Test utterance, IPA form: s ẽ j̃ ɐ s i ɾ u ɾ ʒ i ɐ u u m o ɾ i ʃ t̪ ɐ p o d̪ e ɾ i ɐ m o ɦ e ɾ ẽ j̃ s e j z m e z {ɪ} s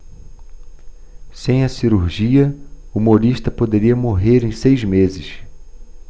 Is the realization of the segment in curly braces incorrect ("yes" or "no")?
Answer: no